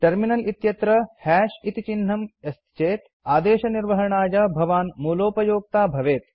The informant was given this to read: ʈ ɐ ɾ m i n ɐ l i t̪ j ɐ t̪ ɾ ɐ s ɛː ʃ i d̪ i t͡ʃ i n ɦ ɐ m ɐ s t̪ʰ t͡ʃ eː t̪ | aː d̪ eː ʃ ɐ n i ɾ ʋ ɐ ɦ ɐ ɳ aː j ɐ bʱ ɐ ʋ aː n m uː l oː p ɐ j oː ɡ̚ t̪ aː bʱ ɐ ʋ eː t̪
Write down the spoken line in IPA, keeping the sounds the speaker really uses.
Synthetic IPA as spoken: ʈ ɐ ɾ m i n ɐ l i t̪ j ɐ t̪ ɾ ɐ h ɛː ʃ i t̪ i t͡ʃ i n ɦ ɐ m ɐ s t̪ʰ t͡ʃ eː t̪ | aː d̪ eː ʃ ɐ n i ɾ ʋ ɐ ɦ ɐ ɳ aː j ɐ bʱ ɐ ʋ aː n m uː l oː p ɐ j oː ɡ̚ t̪ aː bʱ ɐ ʋ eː t̪